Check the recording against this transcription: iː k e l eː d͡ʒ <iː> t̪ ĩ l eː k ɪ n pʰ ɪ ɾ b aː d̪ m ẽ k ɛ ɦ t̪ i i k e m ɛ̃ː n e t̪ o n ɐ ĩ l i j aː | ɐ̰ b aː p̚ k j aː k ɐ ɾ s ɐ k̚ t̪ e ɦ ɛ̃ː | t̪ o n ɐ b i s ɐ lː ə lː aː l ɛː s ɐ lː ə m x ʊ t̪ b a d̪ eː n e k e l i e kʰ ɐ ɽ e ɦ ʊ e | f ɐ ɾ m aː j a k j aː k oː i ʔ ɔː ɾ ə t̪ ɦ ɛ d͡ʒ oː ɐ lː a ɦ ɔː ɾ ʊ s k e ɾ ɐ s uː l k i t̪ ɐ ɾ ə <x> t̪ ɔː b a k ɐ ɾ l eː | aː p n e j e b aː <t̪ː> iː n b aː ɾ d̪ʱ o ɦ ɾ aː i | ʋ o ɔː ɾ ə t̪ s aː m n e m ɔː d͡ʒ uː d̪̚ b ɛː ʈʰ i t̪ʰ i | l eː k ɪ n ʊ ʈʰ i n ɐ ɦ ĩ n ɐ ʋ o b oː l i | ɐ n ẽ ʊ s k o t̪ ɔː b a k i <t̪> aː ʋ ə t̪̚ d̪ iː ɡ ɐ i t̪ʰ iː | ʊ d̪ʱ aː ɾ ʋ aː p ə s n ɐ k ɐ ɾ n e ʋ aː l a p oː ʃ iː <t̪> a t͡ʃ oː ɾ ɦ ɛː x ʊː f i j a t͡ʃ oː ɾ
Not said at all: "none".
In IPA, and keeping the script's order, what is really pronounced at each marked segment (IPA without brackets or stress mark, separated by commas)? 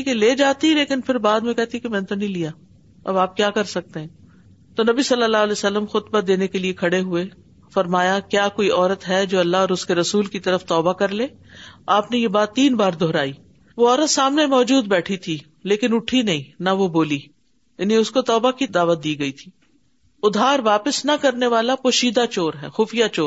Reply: aː, f, t̪ː, d̪, d̪